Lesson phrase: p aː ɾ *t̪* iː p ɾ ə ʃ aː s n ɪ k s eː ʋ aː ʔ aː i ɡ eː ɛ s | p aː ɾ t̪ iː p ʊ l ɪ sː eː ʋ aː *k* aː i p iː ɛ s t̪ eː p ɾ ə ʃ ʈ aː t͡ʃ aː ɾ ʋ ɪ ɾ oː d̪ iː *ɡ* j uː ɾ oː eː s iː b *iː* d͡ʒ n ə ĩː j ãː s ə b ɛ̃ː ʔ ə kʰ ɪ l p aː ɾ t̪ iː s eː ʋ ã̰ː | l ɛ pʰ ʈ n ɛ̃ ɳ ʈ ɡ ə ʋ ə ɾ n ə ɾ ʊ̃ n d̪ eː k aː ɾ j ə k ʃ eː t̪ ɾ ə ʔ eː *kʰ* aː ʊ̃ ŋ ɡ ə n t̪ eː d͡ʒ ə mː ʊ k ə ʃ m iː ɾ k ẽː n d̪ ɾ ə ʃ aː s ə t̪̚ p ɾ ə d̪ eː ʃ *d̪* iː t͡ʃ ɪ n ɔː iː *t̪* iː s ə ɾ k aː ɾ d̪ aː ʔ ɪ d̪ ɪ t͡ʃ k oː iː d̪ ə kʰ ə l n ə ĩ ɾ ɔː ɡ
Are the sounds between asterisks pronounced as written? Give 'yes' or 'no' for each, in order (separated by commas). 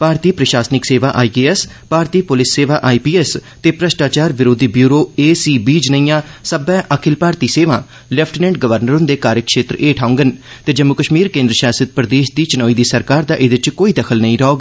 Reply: yes, no, no, yes, no, yes, no